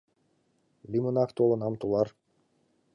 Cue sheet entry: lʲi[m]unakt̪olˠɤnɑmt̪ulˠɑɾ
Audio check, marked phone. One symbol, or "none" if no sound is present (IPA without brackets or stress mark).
m